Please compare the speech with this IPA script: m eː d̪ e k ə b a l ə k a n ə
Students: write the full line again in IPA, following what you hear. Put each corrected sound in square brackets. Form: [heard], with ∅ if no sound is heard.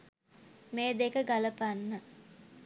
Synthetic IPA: m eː d̪ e k ə [ɡ] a l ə [p] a [nː] ə